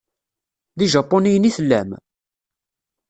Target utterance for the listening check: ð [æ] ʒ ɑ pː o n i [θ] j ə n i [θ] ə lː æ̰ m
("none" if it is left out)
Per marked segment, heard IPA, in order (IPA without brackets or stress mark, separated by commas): i, none, θ